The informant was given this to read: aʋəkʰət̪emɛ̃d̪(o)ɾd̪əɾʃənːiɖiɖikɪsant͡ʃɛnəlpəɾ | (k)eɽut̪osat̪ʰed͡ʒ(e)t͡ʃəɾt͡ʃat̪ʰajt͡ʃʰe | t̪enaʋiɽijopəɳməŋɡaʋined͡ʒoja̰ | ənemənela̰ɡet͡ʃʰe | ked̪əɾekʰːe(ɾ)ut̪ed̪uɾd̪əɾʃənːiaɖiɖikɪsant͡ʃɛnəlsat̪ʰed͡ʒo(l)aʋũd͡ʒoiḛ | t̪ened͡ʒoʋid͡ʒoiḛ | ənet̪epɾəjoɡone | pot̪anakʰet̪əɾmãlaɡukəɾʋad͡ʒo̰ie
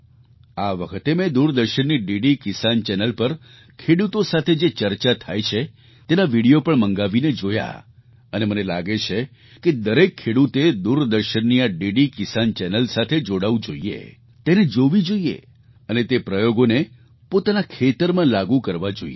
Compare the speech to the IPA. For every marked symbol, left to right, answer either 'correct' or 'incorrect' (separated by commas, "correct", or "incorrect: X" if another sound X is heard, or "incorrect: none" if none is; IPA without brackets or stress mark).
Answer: incorrect: u, incorrect: kʰ, correct, incorrect: ɽ, incorrect: ɽ